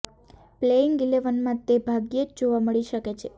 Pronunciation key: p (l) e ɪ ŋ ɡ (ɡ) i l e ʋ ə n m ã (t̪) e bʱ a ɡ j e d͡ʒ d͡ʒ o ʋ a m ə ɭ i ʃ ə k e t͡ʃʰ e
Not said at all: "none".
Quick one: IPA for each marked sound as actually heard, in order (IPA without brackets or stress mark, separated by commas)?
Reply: l, ɡ, t̪